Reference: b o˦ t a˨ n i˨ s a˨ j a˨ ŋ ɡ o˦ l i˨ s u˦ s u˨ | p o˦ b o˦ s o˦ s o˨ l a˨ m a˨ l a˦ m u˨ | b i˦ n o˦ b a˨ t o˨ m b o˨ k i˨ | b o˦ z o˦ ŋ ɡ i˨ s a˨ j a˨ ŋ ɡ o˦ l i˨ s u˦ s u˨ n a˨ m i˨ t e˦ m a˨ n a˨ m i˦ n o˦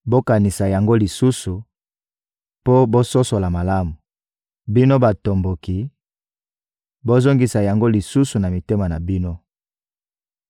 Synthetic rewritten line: b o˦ k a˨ n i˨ s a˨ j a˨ ŋ ɡ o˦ l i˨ s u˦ s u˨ | p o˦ b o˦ s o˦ s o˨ l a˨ m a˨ l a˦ m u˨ | b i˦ n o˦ b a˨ t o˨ m b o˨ k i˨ | b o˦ z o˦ ŋ ɡ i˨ s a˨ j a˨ ŋ ɡ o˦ l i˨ s u˦ s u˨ n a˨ m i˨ t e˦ m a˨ n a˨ b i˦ n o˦